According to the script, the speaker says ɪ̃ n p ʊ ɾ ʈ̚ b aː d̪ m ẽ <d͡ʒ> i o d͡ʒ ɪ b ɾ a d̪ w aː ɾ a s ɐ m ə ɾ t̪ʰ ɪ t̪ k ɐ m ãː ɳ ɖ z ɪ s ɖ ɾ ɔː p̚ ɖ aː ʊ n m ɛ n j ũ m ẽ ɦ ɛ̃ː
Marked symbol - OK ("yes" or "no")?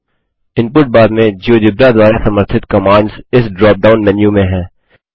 yes